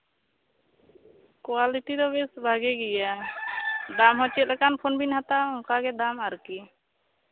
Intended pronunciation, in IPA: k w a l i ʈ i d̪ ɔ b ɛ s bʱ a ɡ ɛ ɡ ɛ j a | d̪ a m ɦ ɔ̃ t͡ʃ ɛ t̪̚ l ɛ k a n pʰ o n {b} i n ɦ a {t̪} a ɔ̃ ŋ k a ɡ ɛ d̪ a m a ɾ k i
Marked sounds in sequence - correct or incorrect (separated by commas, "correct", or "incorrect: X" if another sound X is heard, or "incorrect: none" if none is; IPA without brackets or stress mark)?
correct, correct